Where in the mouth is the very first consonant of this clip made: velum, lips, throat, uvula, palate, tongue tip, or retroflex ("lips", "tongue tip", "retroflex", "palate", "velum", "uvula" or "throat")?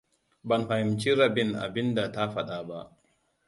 lips